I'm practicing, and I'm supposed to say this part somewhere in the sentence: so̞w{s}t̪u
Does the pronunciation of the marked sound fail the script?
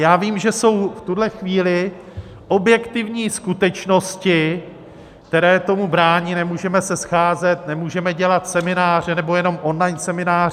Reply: yes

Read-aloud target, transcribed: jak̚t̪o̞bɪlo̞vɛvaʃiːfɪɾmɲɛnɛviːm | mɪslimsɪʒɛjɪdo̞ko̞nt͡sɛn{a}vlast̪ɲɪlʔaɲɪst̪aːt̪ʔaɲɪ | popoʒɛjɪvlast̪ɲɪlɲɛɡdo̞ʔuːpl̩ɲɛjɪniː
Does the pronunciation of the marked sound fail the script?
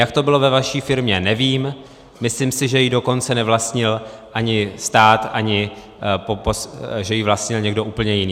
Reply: yes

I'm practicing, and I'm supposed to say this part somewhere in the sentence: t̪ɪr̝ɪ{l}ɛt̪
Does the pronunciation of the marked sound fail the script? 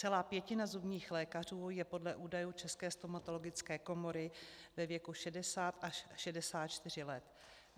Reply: no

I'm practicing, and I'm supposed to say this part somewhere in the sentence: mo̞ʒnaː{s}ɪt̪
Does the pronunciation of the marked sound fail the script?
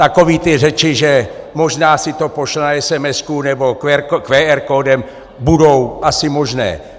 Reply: no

